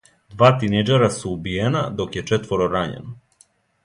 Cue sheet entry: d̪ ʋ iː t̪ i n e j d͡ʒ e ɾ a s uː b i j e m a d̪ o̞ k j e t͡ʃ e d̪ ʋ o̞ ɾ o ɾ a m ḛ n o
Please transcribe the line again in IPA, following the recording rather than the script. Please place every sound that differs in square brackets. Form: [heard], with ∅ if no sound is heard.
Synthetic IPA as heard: d̪ ʋ [aː] t̪ i n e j d͡ʒ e ɾ a s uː b i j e [n] a d̪ o̞ k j e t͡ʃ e [t̪] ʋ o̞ ɾ o ɾ a [ɲ] ḛ n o